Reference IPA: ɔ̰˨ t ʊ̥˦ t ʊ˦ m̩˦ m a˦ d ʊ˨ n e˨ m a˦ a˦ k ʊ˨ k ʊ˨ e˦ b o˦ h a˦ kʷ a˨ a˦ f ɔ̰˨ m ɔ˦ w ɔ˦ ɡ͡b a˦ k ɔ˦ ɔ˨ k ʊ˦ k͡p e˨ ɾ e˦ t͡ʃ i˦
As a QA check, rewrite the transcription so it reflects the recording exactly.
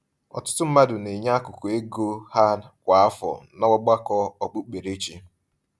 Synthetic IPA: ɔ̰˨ t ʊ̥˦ t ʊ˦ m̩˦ m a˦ d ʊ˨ n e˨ ɲ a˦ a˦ k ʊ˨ k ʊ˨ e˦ ɡ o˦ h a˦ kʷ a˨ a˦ f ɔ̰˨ n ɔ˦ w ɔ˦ ɡ͡b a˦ k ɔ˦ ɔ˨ k͡p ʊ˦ k͡p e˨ ɾ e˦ t͡ʃ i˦